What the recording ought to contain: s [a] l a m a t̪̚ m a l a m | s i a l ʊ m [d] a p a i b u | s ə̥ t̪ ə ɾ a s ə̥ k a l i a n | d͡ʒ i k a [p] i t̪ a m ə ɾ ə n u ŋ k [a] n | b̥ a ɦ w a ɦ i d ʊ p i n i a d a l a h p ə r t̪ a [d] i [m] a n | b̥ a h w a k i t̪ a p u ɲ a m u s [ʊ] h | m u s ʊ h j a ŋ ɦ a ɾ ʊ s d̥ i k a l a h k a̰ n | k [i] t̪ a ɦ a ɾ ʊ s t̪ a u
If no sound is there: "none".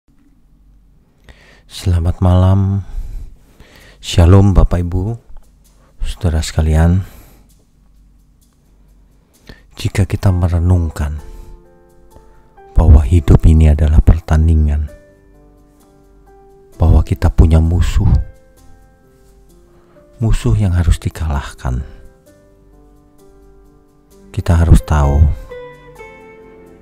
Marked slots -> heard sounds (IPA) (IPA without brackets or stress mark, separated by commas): ə, b, k, a, n, ŋ, ʊ, i